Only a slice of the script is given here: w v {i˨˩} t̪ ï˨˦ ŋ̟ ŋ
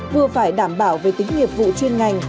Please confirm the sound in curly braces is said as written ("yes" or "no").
no